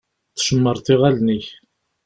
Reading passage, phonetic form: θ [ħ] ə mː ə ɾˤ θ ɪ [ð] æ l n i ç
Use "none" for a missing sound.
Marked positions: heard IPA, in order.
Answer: ʃ, ʁ

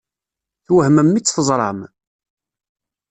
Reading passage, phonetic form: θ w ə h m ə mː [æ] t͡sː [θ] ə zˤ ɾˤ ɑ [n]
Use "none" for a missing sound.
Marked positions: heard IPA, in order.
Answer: i, θ, m

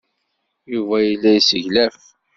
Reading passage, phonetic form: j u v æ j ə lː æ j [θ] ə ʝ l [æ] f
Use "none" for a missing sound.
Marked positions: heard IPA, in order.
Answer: s, æ

